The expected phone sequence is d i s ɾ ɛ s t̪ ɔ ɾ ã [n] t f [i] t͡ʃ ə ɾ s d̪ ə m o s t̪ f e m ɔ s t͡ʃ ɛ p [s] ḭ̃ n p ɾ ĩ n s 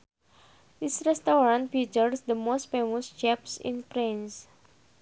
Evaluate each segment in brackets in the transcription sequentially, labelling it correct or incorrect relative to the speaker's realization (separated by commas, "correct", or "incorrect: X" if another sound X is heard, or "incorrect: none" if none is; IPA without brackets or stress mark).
correct, correct, correct